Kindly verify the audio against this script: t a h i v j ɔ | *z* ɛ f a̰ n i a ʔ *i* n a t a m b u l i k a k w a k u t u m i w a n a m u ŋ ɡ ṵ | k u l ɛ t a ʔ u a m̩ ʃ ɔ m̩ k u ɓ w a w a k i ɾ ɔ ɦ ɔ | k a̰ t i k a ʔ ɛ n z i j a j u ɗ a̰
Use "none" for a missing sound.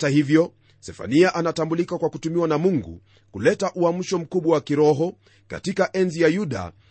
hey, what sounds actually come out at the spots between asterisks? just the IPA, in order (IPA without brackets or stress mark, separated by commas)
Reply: s, a